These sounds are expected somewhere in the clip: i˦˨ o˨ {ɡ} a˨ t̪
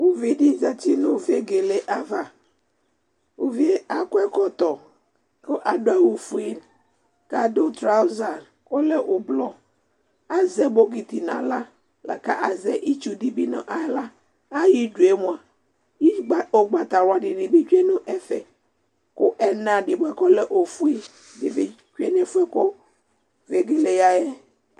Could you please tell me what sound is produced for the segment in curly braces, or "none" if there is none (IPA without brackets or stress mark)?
ɡ͡b